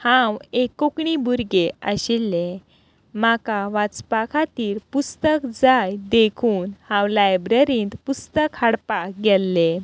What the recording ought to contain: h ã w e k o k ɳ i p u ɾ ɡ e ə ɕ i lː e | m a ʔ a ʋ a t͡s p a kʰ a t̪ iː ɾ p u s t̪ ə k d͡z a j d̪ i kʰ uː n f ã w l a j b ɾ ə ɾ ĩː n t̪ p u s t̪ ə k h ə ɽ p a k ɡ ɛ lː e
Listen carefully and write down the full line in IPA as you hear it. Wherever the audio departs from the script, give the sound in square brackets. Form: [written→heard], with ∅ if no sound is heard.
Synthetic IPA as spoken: h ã w e k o k ɳ i [p→b] u ɾ ɡ e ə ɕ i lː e | m a [ʔ→k] a ʋ a t͡s p a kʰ a t̪ iː ɾ p u s t̪ ə k d͡z a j d̪ [i→e] kʰ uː n [f→h] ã w l a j b ɾ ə ɾ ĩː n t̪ p u s t̪ ə k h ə ɽ p a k ɡ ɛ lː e